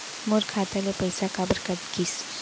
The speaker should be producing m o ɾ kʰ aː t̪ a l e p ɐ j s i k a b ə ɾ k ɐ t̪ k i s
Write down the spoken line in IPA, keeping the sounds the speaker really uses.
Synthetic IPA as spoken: m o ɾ kʰ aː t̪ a l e p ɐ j s a k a b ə ɾ k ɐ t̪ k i s